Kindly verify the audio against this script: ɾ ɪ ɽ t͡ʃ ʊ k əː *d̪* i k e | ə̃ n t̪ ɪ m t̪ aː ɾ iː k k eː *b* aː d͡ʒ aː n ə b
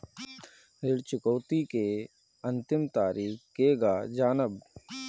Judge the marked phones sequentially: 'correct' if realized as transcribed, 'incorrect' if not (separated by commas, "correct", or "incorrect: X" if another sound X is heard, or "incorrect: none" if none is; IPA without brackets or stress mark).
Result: incorrect: t̪, incorrect: ɡ